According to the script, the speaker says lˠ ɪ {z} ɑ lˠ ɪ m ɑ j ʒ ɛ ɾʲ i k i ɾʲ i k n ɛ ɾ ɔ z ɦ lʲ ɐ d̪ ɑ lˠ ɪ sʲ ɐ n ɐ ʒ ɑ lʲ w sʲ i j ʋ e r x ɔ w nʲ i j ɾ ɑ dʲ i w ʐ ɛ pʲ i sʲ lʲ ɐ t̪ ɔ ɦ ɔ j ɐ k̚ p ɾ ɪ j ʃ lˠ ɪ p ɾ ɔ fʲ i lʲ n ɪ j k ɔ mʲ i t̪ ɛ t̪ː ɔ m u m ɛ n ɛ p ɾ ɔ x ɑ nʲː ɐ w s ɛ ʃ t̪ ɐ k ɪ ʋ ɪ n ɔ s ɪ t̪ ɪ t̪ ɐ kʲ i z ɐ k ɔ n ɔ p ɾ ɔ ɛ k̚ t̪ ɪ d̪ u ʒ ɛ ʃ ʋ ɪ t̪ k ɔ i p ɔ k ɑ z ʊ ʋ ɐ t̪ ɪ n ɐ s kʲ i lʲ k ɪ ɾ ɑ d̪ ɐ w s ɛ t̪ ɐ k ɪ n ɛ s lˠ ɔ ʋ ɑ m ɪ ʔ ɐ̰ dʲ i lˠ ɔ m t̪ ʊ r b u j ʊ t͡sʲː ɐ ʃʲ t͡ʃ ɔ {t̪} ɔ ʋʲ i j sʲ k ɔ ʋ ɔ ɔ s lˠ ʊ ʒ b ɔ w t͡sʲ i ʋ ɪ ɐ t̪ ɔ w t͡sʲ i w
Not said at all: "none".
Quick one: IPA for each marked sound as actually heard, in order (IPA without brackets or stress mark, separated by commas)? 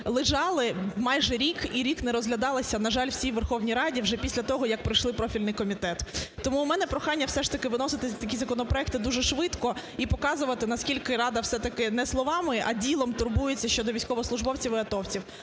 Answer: ʒ, d̪